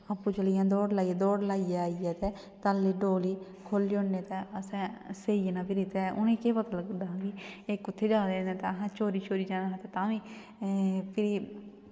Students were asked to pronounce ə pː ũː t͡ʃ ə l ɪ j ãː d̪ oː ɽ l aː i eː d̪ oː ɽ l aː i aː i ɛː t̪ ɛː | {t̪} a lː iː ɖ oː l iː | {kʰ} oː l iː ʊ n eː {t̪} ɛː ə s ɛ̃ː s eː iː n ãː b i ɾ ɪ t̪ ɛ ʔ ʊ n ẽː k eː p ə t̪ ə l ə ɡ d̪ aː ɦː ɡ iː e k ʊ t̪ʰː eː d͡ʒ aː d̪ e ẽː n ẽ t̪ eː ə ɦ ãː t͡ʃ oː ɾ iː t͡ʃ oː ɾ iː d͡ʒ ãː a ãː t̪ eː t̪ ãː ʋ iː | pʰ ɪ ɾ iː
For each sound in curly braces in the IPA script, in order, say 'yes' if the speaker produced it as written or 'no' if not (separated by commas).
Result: yes, yes, yes